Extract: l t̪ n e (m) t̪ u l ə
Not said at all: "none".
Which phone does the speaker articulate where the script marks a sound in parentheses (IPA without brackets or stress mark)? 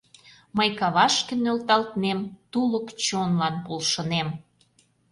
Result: m